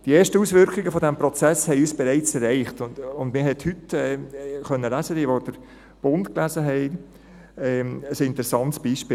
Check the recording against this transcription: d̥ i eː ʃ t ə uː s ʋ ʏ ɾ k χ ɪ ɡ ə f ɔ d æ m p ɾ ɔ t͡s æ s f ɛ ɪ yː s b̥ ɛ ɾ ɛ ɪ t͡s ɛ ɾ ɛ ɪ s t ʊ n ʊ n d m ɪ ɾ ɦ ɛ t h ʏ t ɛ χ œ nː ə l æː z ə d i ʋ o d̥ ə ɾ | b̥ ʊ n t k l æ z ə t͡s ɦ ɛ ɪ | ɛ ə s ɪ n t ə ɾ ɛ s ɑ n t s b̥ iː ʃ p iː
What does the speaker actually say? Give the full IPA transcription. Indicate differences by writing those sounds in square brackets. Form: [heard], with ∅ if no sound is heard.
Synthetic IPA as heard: d̥ i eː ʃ t ə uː s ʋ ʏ ɾ k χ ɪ ɡ ə f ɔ d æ m p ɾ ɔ t͡s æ s [h] ɛ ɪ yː s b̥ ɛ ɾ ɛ ɪ t͡s ɛ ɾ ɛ ɪ [χ] t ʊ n ʊ n d m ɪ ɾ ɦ ɛ t h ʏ t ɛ χ œ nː ə l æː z ə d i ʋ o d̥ ə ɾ | b̥ ʊ n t k l æ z ə [∅] ɦ ɛ ɪ | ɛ ə s ɪ n t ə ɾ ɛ s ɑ n t s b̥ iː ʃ p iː

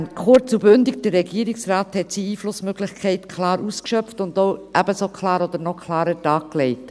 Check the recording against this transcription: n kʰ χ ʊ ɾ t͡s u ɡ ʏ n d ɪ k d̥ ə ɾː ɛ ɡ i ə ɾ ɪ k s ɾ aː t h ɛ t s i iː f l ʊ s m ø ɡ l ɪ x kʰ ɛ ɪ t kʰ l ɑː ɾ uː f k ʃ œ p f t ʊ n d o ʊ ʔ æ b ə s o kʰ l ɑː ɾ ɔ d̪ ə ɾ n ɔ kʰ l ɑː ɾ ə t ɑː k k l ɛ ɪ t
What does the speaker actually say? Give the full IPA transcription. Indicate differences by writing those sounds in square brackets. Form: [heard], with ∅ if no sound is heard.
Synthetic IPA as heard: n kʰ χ ʊ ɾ t͡s u [b] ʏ n d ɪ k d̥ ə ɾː ɛ ɡ i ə ɾ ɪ k s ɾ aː t h ɛ t s i iː f l ʊ s m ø ɡ l ɪ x kʰ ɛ ɪ t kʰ l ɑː ɾ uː [s] k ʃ œ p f t ʊ n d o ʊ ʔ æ b ə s o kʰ l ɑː ɾ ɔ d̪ ə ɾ n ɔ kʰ l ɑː ɾ ə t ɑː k k l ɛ ɪ t

